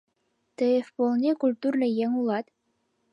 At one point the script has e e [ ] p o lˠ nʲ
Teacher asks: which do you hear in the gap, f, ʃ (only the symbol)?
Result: f